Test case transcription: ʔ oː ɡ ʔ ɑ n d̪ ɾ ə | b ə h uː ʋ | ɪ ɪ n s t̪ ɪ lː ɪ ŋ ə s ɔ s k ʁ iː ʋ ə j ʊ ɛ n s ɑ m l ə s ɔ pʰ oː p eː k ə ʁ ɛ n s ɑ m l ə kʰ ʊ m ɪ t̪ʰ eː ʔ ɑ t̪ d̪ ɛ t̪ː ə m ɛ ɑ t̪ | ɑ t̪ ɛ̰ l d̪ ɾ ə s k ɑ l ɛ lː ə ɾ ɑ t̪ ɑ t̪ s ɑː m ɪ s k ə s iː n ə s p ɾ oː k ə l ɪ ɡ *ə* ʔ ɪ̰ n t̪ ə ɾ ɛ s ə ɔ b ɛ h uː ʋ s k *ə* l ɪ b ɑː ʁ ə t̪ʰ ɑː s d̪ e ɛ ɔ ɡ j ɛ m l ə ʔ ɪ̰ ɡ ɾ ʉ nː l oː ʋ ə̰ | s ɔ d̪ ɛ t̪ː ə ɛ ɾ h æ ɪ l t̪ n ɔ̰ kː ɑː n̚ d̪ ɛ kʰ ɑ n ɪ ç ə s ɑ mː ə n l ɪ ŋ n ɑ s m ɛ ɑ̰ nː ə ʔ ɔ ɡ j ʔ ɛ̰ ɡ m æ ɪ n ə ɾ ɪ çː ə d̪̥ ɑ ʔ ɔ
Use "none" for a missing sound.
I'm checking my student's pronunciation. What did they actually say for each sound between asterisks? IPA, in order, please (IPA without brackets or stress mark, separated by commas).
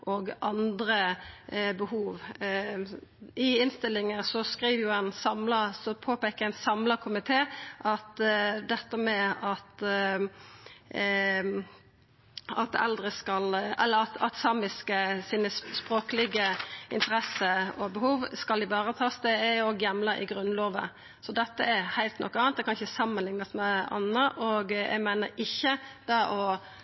ə, ɑ